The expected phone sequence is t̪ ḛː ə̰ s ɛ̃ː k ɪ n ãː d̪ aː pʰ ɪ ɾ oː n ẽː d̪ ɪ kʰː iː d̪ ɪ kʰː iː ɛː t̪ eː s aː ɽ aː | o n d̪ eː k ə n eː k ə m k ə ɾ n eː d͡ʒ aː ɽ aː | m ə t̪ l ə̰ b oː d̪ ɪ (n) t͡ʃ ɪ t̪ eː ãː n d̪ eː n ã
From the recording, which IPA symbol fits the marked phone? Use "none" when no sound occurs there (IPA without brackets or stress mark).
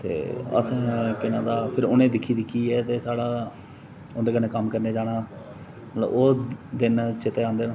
n